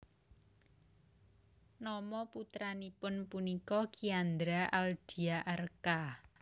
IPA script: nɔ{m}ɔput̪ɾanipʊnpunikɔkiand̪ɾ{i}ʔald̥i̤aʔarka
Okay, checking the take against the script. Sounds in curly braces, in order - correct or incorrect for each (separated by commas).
correct, incorrect